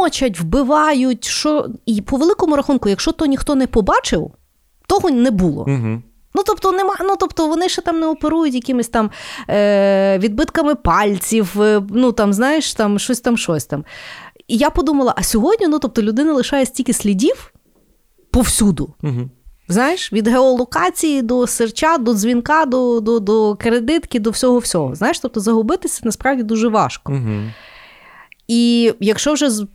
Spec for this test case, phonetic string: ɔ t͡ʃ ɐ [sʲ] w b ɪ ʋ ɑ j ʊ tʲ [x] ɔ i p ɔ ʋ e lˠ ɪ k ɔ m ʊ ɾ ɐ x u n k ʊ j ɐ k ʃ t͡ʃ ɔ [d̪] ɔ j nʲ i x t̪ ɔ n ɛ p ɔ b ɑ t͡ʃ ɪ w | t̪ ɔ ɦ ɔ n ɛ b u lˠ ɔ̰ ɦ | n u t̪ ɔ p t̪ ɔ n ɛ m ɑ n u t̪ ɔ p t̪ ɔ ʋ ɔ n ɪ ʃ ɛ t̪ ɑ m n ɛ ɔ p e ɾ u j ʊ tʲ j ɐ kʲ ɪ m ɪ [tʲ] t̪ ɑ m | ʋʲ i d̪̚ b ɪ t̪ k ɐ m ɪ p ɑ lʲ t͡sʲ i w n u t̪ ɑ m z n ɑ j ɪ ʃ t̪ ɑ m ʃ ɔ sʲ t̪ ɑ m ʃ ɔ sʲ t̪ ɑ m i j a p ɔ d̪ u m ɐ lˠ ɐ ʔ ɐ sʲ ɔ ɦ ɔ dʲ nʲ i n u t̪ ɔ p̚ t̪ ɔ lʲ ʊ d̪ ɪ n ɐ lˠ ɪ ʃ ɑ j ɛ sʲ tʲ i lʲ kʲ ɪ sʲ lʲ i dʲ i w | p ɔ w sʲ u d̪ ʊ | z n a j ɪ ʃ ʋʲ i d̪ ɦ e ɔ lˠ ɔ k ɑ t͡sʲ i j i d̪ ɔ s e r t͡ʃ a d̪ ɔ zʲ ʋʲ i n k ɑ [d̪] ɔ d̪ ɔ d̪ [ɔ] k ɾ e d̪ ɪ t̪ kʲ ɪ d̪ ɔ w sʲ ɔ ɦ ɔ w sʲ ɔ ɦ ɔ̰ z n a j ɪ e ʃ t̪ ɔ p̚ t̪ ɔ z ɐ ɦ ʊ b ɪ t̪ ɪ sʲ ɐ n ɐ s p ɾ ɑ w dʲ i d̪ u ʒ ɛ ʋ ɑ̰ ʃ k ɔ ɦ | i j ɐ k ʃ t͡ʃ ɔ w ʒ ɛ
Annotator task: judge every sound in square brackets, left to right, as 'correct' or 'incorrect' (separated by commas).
incorrect, incorrect, incorrect, incorrect, correct, correct